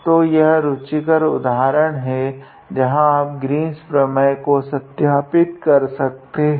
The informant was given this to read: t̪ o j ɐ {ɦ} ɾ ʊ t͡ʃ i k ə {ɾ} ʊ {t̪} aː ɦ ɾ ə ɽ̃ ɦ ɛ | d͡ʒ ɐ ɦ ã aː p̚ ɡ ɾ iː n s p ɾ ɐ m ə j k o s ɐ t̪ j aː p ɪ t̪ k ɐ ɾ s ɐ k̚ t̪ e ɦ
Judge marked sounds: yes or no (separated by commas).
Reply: yes, yes, no